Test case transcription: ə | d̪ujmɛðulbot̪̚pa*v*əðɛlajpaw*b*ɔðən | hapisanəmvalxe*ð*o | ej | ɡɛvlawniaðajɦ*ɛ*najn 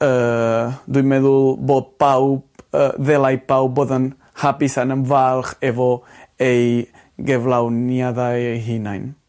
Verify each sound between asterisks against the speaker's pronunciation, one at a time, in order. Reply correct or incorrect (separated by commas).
incorrect, correct, incorrect, incorrect